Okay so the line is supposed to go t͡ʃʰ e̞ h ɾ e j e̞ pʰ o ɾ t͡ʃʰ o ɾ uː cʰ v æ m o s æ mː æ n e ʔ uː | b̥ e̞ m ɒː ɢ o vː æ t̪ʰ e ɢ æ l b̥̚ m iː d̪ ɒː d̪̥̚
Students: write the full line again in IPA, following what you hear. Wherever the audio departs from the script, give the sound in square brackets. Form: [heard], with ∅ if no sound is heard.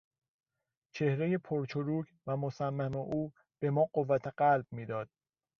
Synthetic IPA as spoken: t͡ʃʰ e̞ h ɾ e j e̞ pʰ o ɾ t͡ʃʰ o ɾ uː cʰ v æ m o s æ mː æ [m] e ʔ uː | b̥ e̞ m ɒː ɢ o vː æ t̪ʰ e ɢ æ l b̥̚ m iː d̪ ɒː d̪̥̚